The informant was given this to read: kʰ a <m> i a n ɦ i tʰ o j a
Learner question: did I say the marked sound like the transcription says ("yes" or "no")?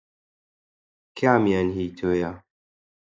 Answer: yes